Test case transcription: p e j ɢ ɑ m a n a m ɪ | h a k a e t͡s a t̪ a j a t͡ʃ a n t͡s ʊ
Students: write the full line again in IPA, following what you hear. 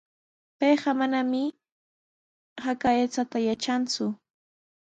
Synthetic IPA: p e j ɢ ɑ m a n a m ɪ | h a k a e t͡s a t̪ a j a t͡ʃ a n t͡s ʊ